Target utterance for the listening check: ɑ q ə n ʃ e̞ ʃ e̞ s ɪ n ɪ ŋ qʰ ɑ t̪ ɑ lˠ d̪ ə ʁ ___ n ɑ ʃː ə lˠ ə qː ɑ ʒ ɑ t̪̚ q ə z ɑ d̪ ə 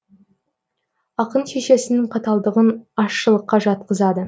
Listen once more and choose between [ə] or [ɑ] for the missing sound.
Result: ə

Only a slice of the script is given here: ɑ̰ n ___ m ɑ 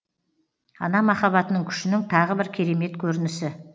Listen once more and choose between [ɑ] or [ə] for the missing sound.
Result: ɑ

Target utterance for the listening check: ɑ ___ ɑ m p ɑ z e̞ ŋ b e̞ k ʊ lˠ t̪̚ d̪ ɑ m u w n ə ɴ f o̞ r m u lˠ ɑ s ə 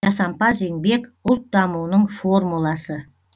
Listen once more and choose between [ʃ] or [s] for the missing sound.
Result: s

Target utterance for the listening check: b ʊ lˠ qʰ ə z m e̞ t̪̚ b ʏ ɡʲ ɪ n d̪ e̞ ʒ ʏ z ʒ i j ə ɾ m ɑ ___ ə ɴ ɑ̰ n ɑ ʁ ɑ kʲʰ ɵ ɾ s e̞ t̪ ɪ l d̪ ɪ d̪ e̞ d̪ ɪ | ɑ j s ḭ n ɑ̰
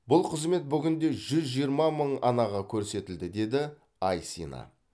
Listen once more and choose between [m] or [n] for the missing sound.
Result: m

